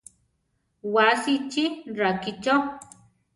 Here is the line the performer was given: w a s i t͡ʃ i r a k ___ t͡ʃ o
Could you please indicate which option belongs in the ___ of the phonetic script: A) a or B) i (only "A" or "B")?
B